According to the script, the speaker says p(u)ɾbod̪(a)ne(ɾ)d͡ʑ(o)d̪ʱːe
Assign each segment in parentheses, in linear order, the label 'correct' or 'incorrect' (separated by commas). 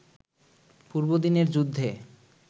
correct, incorrect, correct, incorrect